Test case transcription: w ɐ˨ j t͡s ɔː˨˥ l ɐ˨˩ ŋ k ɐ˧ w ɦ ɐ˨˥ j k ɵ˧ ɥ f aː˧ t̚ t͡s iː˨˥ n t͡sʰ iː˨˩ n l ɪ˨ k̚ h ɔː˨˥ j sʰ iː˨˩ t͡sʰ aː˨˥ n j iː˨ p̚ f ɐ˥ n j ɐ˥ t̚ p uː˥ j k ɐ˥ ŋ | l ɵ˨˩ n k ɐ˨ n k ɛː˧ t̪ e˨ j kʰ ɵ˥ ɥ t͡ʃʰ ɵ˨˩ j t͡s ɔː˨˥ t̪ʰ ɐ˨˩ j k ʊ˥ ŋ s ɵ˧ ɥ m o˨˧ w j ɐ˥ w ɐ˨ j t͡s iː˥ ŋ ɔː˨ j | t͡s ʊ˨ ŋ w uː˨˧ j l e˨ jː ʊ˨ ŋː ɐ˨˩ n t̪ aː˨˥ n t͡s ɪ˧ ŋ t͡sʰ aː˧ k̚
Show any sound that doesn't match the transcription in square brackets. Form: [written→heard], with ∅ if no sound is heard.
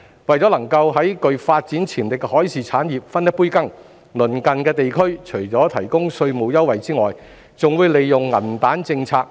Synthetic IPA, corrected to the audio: w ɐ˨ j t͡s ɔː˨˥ l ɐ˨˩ ŋ k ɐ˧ w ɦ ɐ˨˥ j k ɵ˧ ɥ f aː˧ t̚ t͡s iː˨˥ n t͡sʰ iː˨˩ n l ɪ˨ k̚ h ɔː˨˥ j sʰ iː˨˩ t͡sʰ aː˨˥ n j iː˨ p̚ f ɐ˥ n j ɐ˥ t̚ p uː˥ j k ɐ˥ ŋ | l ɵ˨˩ n k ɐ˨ n k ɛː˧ t̪ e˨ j kʰ ɵ˥ ɥ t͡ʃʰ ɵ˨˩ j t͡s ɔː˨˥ t̪ʰ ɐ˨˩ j k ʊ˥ ŋ s ɵ˧ ɥ m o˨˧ w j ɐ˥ w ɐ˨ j t͡s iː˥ ŋ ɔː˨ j | t͡s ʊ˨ ŋ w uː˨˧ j l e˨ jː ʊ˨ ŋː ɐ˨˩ n t̪ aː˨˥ n t͡s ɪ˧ ŋ t͡sʰ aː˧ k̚